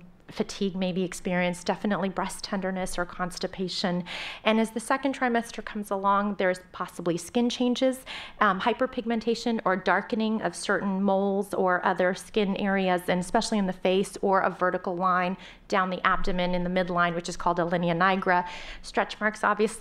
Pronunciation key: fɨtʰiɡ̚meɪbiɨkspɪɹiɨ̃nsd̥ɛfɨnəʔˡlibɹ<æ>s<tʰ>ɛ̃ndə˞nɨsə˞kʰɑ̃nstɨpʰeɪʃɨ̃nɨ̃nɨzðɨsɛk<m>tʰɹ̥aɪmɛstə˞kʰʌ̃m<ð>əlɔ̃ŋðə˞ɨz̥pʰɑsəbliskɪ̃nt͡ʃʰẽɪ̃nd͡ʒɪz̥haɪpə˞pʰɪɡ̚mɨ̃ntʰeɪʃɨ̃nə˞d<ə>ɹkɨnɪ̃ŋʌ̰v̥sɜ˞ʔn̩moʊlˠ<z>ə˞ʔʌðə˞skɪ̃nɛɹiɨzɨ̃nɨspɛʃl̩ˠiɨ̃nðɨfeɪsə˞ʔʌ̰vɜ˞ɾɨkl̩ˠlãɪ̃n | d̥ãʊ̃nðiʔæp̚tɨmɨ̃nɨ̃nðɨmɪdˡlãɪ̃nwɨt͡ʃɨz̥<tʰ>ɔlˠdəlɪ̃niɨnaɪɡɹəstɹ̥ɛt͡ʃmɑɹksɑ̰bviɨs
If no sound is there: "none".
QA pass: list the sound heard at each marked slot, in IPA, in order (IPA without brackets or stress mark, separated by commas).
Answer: ɛ, tʰ, n, z, ɑ, z, kʰ